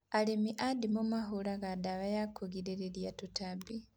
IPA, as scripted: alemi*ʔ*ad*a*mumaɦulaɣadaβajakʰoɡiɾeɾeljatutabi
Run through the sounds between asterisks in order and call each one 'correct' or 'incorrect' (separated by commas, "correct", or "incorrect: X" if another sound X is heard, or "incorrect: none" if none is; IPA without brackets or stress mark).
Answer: correct, incorrect: i